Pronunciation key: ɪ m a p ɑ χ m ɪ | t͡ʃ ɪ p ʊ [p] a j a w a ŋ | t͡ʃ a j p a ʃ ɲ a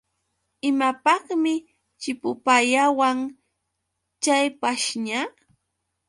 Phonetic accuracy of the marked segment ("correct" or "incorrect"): correct